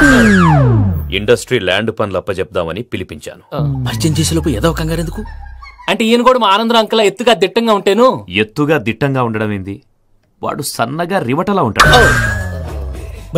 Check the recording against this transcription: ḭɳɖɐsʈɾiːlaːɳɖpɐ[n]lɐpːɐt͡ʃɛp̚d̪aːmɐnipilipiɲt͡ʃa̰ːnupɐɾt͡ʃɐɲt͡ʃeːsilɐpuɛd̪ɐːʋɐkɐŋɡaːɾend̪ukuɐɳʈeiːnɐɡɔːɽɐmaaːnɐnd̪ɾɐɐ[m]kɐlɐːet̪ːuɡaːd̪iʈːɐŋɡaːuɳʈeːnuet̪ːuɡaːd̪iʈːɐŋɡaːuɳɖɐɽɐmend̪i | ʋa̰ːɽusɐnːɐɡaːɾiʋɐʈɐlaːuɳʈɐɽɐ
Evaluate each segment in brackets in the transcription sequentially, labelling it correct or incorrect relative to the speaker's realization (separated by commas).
correct, incorrect